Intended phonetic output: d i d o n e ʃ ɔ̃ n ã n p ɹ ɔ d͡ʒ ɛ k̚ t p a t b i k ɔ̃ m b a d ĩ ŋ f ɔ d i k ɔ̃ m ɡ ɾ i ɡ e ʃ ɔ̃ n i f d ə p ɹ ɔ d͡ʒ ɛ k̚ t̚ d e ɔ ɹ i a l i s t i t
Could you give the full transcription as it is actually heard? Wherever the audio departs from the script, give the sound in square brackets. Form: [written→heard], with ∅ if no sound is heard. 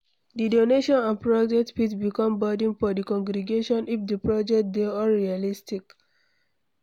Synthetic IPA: d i d o n e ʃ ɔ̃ n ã n p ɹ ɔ d͡ʒ ɛ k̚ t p [a→i] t b i k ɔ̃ m b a d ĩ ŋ f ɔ d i k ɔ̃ [m→ŋ] ɡ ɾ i ɡ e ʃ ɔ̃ n i f d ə p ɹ ɔ d͡ʒ ɛ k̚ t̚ d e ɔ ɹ i a l i s t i [t→k]